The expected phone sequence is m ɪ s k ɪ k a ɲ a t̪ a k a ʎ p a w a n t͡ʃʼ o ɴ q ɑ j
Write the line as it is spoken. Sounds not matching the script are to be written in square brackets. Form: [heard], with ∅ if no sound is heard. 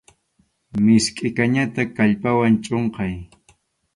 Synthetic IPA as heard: m ɪ s [kʼ] ɪ k a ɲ a t̪ a k a ʎ p a w a n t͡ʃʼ o ɴ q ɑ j